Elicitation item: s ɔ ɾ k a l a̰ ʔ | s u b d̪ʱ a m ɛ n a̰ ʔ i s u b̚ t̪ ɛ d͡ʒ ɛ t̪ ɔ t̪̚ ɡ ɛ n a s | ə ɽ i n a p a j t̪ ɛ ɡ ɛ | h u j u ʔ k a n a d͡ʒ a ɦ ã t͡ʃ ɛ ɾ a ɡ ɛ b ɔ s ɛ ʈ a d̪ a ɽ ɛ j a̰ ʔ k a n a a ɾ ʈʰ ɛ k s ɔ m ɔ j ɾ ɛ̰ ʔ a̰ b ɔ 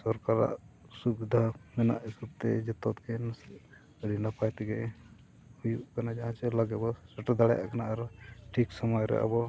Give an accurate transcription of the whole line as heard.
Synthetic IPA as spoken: s ɔ ɾ k a ɾ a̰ ʔ | s u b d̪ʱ a m ɛ n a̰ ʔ i s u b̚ t̪ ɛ d͡ʒ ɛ t̪ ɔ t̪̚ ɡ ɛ n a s | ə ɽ i n a p a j t̪ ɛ ɡ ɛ | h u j u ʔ k a n a d͡ʒ a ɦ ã t͡ʃ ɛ l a ɡ ɛ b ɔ s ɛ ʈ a d̪ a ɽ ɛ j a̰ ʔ k a n a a ɾ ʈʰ i k s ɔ m ɔ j ɾ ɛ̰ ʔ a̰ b ɔ